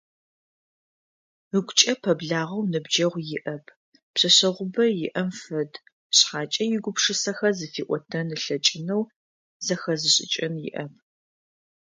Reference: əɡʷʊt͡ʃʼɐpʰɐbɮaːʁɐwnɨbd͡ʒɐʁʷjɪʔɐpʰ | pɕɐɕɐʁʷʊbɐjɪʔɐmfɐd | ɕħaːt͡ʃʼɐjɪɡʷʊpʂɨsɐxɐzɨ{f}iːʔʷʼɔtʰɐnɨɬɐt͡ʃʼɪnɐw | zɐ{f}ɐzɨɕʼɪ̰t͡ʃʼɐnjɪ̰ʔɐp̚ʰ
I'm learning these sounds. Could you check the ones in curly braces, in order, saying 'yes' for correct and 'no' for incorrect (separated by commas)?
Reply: yes, no